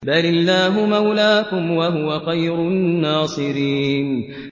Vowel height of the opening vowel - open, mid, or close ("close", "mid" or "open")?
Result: open